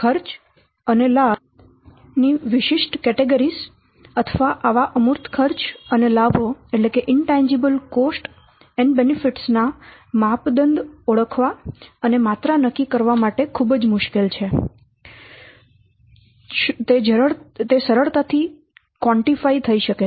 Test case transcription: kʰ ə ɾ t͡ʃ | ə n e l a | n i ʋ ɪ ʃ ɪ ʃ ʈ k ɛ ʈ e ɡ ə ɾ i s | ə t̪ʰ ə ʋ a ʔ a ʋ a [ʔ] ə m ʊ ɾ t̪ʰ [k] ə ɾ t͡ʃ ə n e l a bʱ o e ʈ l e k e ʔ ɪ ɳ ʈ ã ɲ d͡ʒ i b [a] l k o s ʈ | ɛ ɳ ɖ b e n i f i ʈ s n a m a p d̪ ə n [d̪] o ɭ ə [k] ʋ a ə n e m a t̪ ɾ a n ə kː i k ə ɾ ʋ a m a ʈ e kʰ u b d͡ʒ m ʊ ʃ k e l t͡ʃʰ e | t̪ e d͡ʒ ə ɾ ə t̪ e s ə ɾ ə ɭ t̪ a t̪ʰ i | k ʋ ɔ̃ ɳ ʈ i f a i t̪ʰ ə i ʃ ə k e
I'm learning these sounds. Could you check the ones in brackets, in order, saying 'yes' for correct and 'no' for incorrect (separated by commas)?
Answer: yes, no, no, yes, no